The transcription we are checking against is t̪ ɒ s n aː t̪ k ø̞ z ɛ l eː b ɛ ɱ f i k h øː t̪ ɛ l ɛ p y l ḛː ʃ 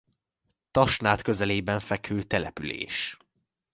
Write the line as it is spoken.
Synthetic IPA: t̪ ɒ ʃ n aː t̪ k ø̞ z ɛ l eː b ɛ ɱ f ɛ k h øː t̪ ɛ l ɛ p y l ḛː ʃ